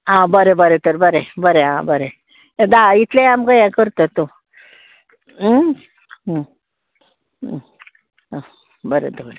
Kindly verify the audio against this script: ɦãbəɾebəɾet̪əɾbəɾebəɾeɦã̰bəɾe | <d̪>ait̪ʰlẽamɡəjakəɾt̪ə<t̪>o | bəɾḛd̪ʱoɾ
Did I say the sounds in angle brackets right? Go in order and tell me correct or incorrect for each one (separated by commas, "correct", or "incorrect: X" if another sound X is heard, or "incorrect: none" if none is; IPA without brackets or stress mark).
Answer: correct, correct